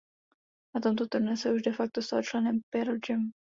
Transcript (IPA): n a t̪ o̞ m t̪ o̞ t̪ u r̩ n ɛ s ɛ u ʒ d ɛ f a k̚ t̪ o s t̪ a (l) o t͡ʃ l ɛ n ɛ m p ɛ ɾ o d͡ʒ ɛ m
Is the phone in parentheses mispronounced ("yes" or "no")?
no